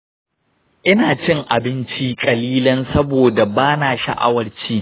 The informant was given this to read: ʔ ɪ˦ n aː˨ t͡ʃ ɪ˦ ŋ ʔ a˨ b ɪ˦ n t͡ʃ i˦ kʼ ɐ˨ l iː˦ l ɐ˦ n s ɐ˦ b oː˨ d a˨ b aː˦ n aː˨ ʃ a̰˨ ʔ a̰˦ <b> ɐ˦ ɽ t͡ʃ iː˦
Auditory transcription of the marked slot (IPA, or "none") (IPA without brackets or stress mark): w